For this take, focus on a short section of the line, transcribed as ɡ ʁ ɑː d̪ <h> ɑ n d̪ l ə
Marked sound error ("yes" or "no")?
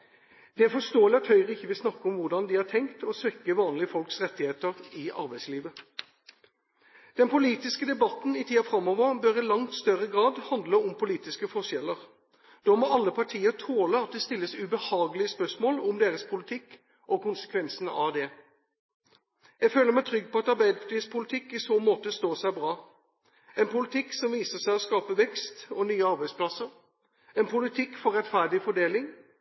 no